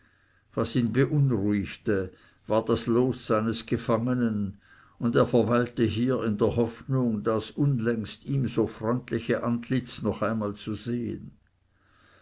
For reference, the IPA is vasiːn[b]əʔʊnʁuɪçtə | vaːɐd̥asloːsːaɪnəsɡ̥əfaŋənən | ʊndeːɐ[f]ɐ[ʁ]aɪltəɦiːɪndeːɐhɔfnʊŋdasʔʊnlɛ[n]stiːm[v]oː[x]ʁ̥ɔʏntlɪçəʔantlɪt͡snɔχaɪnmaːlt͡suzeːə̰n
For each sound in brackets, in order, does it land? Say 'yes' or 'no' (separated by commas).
yes, yes, no, no, no, no